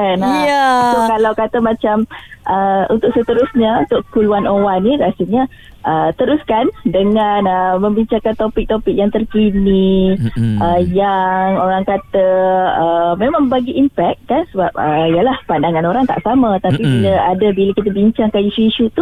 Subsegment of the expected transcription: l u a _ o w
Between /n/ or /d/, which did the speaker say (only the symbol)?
n